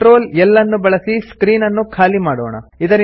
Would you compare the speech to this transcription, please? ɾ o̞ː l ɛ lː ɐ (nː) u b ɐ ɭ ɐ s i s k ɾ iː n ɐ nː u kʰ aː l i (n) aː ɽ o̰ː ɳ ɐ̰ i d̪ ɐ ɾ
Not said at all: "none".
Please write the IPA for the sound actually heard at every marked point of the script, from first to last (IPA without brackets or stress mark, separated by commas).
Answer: nː, m